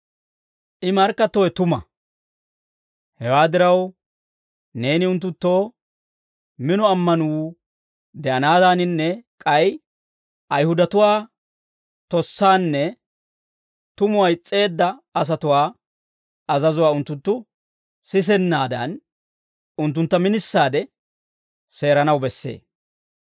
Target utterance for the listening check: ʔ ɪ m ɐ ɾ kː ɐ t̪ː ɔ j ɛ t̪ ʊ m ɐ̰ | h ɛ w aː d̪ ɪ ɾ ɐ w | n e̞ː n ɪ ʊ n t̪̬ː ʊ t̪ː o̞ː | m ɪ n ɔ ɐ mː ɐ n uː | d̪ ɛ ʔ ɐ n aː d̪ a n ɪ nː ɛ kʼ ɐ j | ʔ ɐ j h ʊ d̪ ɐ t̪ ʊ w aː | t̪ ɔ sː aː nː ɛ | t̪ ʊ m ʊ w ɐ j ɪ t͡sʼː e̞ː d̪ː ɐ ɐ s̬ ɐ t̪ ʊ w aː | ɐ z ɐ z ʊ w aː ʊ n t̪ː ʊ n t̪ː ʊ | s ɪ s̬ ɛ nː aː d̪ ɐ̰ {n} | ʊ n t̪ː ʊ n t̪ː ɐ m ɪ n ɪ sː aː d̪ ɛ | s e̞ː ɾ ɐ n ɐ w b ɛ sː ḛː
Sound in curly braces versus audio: correct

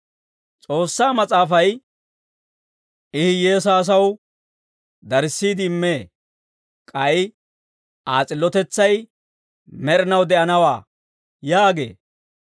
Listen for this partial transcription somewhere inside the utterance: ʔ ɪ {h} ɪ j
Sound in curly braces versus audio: correct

